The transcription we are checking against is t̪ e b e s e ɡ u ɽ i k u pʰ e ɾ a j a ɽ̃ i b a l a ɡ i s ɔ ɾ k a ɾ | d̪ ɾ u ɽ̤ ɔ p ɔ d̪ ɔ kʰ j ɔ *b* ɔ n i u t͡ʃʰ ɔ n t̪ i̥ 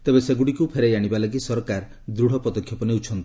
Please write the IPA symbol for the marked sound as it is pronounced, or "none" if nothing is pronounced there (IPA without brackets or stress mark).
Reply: p